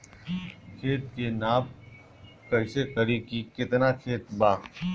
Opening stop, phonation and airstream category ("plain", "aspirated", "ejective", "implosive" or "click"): aspirated